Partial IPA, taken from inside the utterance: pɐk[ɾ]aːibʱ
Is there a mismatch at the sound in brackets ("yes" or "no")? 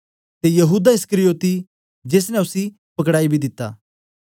yes